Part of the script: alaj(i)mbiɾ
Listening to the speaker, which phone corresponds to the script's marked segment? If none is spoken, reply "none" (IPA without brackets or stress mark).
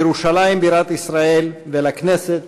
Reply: i